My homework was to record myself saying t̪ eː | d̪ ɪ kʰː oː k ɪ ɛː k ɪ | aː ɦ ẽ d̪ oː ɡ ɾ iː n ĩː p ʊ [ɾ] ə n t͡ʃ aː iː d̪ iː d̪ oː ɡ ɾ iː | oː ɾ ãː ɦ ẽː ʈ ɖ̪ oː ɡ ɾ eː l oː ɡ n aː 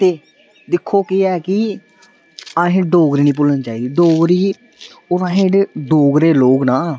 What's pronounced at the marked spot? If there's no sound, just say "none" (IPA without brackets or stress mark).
l